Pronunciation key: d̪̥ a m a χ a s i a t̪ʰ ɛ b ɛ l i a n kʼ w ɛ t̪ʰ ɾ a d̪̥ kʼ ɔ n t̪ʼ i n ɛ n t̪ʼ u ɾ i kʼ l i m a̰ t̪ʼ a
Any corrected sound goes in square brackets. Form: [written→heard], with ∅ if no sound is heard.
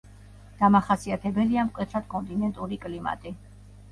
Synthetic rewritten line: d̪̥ a m a χ a s i a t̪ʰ ɛ b ɛ l i a [n→m] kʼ w ɛ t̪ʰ ɾ a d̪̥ kʼ ɔ n t̪ʼ i n ɛ n t̪ʼ u ɾ i kʼ l i m a̰ t̪ʼ [a→i]